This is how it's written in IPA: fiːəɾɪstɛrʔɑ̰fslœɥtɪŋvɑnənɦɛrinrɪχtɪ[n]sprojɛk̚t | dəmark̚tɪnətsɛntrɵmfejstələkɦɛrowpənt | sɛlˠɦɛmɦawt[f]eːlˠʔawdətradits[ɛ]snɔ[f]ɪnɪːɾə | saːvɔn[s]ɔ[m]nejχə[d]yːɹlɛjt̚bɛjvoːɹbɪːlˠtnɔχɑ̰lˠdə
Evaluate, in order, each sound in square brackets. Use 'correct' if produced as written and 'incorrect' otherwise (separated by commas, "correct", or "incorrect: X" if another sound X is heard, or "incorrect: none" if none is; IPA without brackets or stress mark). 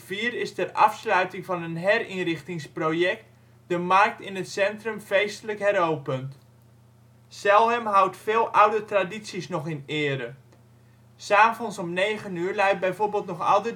incorrect: ŋ, correct, incorrect: i, incorrect: χ, correct, correct, incorrect: n